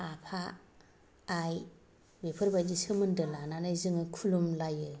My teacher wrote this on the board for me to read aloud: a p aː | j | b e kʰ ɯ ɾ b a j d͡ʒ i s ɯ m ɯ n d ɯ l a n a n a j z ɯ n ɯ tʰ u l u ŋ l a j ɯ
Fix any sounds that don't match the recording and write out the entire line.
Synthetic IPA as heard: a pʰ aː | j | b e pʰ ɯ ɾ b a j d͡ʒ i s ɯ m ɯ n d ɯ l a n a n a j z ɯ ŋ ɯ kʰ u l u m l a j ɯ